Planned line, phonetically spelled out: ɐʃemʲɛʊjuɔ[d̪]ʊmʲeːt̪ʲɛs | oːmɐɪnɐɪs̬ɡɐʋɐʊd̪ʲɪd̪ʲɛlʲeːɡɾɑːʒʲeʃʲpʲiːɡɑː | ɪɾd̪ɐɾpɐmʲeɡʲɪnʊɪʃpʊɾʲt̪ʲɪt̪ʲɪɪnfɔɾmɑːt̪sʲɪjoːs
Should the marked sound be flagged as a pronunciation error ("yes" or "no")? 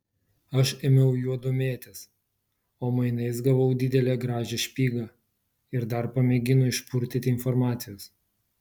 no